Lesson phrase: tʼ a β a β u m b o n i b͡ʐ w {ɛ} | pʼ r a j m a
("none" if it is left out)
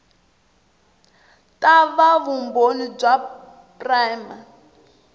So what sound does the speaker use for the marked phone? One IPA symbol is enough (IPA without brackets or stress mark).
a